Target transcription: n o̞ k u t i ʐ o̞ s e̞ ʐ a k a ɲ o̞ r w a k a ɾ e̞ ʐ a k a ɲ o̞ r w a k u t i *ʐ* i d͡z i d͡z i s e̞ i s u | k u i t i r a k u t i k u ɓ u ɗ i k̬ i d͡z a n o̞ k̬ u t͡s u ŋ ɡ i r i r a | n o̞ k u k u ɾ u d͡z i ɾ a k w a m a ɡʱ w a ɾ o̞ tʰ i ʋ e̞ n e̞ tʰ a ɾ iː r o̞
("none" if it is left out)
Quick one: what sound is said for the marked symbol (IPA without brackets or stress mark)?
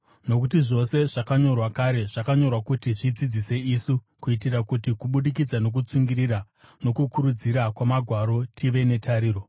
ʐ